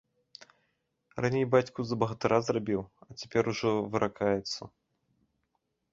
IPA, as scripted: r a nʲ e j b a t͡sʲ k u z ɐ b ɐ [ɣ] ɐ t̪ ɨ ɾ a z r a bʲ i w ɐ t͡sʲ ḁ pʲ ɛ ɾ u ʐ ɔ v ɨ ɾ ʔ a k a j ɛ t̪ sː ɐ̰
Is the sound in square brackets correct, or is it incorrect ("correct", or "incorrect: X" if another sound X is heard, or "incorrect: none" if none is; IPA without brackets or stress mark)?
correct